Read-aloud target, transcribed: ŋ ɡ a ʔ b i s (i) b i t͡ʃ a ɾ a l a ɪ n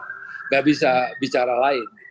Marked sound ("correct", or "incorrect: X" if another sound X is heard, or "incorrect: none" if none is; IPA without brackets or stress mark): incorrect: a